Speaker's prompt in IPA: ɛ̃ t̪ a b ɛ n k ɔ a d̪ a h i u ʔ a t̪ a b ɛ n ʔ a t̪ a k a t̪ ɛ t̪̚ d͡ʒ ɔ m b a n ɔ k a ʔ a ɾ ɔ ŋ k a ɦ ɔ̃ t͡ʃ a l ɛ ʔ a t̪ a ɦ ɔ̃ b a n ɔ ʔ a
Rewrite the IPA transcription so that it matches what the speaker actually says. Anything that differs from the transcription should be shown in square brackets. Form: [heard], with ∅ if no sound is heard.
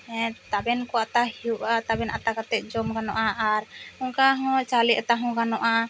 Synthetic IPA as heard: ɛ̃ t̪ a b ɛ n k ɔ a [t̪] a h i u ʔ a t̪ a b ɛ n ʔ a t̪ a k a t̪ ɛ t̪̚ d͡ʒ ɔ m [ɡ] a n ɔ [ʔ] a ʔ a ɾ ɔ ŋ k a ɦ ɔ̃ t͡ʃ a l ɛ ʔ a t̪ a ɦ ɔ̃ [ɡ] a n ɔ ʔ a